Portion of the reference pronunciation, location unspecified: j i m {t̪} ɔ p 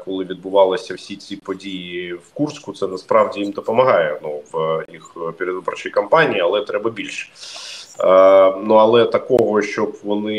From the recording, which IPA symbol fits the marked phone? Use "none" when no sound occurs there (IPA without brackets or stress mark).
d̪